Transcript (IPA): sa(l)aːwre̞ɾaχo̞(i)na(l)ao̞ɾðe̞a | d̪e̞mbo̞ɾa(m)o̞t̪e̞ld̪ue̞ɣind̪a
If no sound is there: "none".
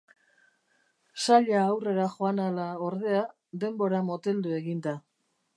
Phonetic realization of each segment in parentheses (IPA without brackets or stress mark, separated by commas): ʎ, a, l, m